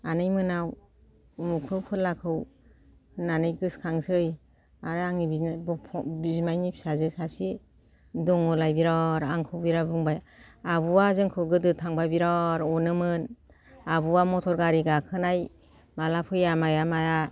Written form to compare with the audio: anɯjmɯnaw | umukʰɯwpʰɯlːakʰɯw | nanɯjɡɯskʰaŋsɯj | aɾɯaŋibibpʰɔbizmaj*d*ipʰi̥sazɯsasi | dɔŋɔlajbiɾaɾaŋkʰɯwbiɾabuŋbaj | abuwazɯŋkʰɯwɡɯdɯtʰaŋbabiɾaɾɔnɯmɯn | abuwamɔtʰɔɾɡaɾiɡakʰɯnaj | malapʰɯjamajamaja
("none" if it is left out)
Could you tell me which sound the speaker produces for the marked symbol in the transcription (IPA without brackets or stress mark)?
n